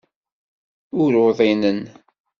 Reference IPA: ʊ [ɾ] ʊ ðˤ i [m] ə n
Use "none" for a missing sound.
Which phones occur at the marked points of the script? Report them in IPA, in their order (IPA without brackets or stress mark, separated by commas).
ɾ, n